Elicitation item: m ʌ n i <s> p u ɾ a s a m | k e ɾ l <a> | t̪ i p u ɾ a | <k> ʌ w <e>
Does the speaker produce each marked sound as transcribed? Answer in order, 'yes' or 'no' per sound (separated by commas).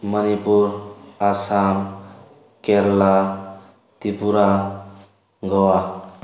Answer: no, yes, no, no